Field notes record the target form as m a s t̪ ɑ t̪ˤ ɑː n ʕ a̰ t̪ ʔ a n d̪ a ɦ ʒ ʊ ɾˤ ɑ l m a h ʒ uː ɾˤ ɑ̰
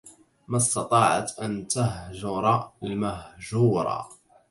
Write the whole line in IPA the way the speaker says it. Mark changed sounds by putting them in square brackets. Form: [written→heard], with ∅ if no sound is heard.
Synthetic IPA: m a s t̪ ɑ t̪ˤ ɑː [n→∅] ʕ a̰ t̪ ʔ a n [d̪→t̪] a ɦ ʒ ʊ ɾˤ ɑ l m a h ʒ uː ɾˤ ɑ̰